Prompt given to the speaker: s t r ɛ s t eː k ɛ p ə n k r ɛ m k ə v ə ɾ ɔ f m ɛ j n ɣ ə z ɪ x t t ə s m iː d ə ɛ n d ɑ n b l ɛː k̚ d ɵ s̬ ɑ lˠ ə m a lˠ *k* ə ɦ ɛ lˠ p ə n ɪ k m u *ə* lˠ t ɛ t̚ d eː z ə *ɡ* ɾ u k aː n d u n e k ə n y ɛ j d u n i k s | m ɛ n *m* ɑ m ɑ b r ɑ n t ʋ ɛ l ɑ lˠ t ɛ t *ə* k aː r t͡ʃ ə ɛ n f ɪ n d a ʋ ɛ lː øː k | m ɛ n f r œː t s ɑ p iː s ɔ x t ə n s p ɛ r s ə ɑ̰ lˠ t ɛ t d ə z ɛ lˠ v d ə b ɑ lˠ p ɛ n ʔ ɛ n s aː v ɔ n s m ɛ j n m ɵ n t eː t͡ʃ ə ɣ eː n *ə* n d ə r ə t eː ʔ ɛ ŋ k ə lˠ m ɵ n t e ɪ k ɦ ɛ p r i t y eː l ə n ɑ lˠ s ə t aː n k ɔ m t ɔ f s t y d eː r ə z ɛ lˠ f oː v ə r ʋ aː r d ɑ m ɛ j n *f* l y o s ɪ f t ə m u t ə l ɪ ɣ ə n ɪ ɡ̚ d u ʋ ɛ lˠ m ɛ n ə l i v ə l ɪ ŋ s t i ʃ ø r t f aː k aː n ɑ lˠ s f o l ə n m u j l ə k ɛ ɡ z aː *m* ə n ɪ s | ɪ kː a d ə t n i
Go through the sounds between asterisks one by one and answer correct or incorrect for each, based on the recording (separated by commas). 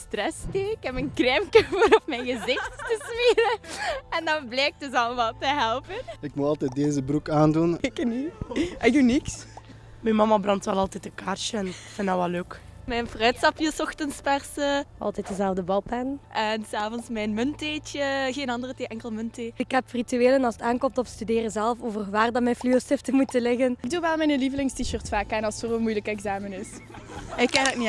incorrect, incorrect, incorrect, correct, correct, incorrect, correct, correct